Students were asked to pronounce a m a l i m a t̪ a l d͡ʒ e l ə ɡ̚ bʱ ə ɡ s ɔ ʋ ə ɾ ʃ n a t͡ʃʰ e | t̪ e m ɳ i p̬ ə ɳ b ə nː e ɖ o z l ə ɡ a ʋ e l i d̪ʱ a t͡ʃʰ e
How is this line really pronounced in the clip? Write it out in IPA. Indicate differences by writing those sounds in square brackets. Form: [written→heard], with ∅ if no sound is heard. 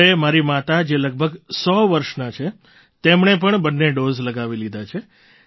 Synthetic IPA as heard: [a→e] m a [l→ɾ] i m a t̪ a [l→∅] d͡ʒ e l ə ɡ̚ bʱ ə ɡ s ɔ ʋ ə ɾ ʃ n a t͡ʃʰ e | t̪ e m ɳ [i→e] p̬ ə ɳ b ə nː e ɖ o z l ə ɡ a ʋ [e→i] l i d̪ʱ a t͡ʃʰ e